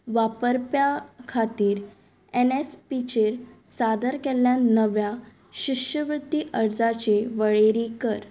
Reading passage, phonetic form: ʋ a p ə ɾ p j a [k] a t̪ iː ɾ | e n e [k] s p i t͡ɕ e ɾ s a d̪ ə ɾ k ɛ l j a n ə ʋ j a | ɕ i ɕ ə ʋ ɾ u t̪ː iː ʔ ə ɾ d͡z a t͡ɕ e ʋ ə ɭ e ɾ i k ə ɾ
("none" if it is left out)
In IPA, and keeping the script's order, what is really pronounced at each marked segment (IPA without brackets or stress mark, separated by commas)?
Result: kʰ, none